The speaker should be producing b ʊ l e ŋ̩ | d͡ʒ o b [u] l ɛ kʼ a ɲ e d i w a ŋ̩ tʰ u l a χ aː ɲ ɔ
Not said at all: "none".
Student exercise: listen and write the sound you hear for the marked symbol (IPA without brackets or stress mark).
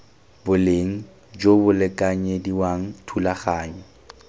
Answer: ʊ